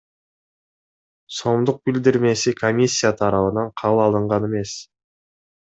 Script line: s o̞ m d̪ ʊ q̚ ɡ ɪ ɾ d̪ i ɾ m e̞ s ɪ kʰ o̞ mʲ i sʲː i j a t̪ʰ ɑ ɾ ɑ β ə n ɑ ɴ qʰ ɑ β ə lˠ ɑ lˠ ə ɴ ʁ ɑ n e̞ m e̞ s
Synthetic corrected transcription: s o̞ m d̪ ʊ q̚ b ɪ l d̪ ɪ ɾ m e̞ s ɪ kʰ o̞ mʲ i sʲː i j a t̪ʰ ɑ ɾ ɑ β ə n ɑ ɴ qʰ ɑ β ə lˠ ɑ lˠ ə ɴ ʁ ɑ n e̞ m e̞ s